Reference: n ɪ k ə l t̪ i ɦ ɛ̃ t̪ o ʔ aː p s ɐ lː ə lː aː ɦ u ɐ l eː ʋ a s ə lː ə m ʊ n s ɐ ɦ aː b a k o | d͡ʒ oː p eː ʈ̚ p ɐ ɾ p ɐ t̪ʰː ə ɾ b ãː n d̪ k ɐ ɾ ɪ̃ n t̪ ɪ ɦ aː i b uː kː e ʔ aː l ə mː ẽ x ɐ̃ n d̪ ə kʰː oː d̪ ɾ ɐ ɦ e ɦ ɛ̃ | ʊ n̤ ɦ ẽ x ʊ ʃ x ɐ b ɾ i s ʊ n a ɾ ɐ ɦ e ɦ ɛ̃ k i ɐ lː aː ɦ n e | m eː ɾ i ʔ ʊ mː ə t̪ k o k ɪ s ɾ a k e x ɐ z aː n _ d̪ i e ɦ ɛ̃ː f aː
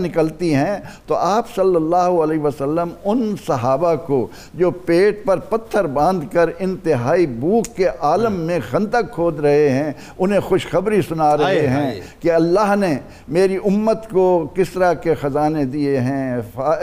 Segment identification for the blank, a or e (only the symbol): e